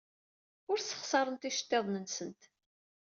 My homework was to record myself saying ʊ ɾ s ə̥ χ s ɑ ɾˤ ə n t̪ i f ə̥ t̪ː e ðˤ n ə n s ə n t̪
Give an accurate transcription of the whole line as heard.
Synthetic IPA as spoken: ʊ ɾ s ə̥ χ s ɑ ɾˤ ə n t̪ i ʃ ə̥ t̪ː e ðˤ n ə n s ə n t̪